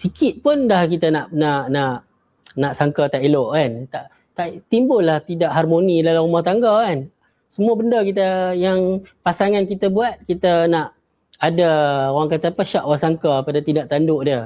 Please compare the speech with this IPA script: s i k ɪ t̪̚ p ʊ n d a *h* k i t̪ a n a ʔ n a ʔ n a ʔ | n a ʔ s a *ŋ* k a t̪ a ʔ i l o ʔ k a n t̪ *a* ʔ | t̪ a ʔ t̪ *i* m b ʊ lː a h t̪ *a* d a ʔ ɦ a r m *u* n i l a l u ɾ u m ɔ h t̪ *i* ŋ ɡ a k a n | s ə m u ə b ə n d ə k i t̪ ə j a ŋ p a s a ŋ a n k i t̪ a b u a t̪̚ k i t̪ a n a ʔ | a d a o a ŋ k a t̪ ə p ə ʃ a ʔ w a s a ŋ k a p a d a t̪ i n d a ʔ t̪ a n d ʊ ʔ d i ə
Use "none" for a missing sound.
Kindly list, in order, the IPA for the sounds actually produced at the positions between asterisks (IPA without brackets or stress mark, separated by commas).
h, ŋ, a, i, i, o, a